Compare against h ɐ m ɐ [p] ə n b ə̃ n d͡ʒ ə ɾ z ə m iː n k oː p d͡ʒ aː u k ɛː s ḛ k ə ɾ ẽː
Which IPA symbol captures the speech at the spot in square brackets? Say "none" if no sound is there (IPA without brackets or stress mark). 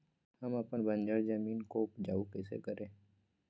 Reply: p